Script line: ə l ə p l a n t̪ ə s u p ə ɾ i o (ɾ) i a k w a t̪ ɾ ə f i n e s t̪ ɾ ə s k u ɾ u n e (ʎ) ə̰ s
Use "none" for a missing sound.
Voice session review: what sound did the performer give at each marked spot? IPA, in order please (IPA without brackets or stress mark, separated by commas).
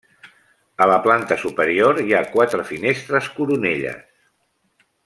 ɾ, ʎ